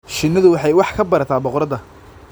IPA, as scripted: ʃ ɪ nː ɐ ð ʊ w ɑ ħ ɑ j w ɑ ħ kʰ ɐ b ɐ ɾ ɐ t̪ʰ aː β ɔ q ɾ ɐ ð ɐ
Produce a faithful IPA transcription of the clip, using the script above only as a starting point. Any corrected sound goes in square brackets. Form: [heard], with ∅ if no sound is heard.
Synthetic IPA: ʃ ɪ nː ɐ ð ʊ w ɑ ħ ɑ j w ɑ ħ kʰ ɐ b ɐ ɾ ɐ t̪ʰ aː [b] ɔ q ɾ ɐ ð ɐ

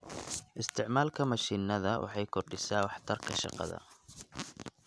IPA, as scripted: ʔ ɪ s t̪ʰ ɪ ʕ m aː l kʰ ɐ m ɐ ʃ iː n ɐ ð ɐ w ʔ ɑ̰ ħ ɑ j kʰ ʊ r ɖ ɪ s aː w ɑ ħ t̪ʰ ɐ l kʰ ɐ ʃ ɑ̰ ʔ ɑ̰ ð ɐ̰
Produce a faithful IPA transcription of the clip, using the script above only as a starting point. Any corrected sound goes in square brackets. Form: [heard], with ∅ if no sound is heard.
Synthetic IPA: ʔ ɪ s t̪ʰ ɪ ʕ m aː l kʰ ɐ m ɐ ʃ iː n ɐ ð ɐ w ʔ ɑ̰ ħ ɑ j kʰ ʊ r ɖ ɪ s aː w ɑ ħ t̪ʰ ɐ [r] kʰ ɐ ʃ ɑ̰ [q] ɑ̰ ð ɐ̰

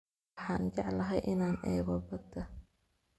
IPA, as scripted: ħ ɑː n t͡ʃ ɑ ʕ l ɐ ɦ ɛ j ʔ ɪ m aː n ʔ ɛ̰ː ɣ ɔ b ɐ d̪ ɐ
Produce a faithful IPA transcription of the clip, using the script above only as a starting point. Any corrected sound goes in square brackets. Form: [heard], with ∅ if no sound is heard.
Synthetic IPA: ħ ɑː n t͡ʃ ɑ ʕ l ɐ ɦ ɛ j ʔ ɪ [n] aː n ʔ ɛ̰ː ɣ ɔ b ɐ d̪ ɐ

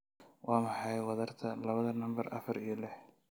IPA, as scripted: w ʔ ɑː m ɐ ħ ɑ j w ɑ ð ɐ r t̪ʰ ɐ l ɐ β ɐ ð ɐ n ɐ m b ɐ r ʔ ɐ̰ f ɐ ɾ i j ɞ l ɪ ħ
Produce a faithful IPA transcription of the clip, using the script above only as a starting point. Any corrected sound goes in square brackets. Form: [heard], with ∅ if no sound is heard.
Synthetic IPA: w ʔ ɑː m [ɑ] ħ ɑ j w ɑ ð ɐ r t̪ʰ ɐ l ɐ β ɐ ð ɐ n ɐ m b ɐ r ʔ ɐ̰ f ɐ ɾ i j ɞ l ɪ ħ

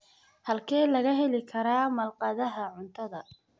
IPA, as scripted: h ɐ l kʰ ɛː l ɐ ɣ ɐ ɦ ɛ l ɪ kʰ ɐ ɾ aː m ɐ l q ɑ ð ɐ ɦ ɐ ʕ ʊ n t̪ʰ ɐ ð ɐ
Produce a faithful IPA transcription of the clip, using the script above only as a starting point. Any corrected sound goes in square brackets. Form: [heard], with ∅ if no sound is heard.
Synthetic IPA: h ɐ l kʰ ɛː l ɐ ɣ ɐ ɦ ɛ l ɪ kʰ ɐ ɾ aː m ɐ l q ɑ ð ɐ ɦ ɐ ʕ ʊ n t̪ʰ ɐ ð ɐ

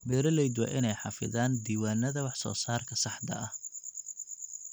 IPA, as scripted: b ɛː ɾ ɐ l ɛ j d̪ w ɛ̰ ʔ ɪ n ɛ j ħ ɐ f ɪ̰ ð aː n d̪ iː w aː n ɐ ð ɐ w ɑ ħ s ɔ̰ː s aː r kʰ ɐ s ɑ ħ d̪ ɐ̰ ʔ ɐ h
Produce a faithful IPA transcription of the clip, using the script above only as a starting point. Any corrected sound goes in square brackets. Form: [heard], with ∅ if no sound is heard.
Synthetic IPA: b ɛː ɾ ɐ l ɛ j d̪ w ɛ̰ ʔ ɪ n ɛ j ħ [ɑ] f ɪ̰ ð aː n d̪ iː w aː n ɐ ð ɐ w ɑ ħ s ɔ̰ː s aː r kʰ ɐ s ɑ ħ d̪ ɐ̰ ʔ ɐ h

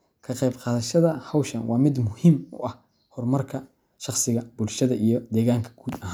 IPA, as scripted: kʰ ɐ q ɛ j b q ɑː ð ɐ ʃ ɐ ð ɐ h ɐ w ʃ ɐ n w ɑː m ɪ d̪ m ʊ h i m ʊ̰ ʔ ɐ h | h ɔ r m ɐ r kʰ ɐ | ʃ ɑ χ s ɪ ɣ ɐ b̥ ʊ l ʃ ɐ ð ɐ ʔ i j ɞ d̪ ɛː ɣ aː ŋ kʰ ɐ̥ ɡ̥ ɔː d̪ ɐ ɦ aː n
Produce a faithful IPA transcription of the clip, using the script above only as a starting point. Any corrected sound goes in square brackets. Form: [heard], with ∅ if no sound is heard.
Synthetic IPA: kʰ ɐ q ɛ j b q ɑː ð ɐ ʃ ɐ ð ɐ h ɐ w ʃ ɐ n w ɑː m ɪ d̪ m ʊ h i m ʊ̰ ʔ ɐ h | h ɔ r m ɐ r kʰ ɐ | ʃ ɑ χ s ɪ ɣ ɐ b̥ ʊ l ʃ ɐ ð ɐ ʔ i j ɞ d̪ ɛː ɣ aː ŋ kʰ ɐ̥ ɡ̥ [uː] d̪ ɐ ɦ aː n

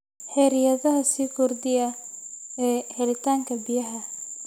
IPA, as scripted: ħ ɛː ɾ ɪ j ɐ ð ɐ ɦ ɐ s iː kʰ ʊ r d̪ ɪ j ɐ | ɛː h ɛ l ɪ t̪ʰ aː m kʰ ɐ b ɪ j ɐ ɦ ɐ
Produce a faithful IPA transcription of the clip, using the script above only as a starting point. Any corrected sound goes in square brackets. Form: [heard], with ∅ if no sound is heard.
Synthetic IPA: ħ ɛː ɾ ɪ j ɐ ð ɐ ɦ ɐ s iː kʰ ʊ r d̪ ɪ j ɐ | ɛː h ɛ l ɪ t̪ʰ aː [ŋ] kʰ ɐ b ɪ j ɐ ɦ ɐ

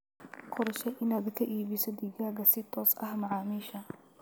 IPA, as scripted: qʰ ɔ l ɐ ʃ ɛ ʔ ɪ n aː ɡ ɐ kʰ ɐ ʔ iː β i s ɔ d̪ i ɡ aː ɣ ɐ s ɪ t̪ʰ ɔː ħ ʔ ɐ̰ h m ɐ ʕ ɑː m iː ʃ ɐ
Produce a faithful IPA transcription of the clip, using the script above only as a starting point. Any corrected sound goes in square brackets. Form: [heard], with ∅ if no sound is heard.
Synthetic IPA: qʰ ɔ [ɾ] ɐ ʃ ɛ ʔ ɪ n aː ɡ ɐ kʰ ɐ ʔ iː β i s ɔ d̪ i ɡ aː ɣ ɐ s ɪ t̪ʰ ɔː [s] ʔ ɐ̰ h m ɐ ʕ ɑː m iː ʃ ɐ

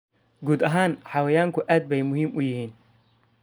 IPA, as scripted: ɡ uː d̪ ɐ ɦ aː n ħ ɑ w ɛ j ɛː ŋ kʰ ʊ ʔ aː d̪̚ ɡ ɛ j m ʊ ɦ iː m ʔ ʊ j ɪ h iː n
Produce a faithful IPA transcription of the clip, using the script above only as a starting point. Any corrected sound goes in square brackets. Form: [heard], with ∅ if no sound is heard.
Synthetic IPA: ɡ uː d̪ ɐ ɦ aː n ħ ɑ w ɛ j [aː] ŋ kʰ ʊ ʔ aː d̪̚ [b] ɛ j m ʊ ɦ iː m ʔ ʊ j ɪ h iː n

